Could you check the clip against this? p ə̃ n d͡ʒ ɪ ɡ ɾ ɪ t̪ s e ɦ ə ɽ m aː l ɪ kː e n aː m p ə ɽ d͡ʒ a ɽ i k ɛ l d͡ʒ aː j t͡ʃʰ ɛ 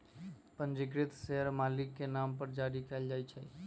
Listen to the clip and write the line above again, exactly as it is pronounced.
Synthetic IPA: p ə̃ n d͡ʒ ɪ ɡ ɾ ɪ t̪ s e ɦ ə ɾ m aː l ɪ kː e n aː m p ə ɾ d͡ʒ a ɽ i k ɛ l d͡ʒ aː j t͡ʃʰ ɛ